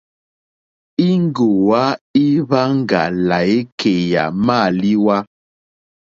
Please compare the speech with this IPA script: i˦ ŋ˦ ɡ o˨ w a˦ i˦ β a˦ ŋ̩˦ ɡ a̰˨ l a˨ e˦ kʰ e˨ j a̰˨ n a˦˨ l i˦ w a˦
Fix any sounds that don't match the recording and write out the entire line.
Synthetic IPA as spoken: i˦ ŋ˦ ɡ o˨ w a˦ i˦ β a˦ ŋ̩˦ ɡ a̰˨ l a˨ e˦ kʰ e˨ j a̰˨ m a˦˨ l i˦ w a˦